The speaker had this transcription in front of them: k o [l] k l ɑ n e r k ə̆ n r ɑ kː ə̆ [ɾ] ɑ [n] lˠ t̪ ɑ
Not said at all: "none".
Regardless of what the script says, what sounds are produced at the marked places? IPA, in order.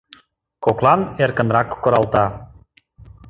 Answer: none, ɾ, none

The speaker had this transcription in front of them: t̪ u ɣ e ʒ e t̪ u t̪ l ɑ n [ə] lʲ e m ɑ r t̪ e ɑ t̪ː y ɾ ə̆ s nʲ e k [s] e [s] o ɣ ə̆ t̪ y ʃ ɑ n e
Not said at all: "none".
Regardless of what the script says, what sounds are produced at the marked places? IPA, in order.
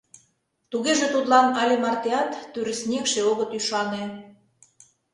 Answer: ɑ, ʃ, none

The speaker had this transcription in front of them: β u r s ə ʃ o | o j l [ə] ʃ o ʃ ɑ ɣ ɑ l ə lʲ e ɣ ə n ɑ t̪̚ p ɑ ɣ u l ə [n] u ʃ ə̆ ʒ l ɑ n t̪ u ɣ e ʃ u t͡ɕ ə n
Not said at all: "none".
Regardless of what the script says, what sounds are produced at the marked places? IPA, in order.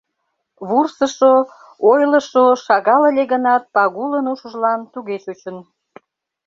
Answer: ə, n

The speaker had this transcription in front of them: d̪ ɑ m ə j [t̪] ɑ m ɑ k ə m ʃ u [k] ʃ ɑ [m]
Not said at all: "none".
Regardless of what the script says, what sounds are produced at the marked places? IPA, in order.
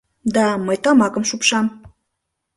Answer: t̪, p, m

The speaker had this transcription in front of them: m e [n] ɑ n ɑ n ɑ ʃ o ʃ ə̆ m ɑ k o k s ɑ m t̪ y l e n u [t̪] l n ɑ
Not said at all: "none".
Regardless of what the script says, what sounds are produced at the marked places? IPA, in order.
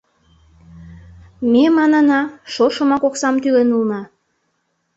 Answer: m, none

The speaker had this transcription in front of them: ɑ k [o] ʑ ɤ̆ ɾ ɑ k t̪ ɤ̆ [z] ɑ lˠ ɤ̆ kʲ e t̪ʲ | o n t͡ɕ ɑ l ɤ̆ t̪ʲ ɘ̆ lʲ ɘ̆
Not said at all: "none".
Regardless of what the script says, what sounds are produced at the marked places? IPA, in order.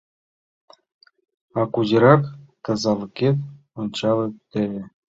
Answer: u, z

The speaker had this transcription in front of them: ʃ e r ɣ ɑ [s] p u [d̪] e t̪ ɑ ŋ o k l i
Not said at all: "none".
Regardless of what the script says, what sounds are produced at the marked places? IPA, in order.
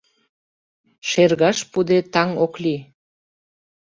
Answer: ʃ, d̪

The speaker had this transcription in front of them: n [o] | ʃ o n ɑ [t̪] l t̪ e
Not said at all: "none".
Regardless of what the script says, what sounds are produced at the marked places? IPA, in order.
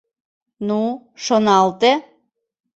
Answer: u, none

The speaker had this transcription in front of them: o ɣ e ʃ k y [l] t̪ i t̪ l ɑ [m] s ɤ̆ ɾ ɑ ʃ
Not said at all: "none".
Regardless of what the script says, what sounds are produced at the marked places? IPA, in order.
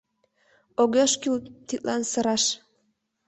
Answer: l, n

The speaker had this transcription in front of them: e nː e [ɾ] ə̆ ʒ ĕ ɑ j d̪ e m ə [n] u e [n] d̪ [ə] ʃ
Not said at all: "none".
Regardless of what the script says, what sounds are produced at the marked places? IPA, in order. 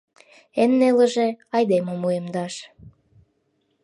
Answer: l, m, m, ɑ

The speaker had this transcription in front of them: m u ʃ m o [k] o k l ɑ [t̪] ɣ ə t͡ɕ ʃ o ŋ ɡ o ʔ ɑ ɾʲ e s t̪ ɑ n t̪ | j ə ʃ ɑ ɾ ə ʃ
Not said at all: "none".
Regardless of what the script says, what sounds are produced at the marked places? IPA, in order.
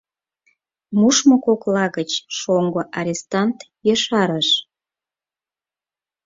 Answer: k, none

